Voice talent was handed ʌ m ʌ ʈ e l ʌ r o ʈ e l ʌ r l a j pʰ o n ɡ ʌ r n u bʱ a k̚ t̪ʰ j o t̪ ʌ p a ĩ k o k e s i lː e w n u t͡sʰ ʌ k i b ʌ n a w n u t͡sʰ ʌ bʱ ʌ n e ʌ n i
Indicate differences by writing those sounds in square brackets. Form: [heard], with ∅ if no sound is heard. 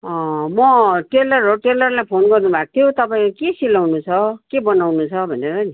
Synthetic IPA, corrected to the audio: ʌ m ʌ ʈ e l ʌ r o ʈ e l ʌ r l a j pʰ o n ɡ ʌ r n u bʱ a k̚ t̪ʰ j o t̪ ʌ p a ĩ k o k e s i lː [a] w n u t͡sʰ ʌ k [e] b ʌ n a w n u t͡sʰ ʌ bʱ ʌ n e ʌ n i